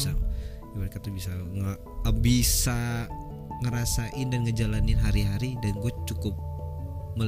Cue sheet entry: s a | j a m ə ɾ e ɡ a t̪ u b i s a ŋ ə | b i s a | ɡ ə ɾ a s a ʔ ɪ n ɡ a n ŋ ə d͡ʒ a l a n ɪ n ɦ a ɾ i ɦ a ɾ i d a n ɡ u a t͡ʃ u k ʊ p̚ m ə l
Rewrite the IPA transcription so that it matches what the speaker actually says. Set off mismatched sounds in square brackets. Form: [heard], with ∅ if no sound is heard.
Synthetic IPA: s a | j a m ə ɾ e [k] a t̪ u b i s a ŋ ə | b i s a | [ŋ] ə ɾ a s a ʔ ɪ n [d] a n ŋ ə d͡ʒ a l a n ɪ n ɦ a ɾ i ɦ a ɾ i d a n ɡ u a t͡ʃ u k ʊ p̚ m ə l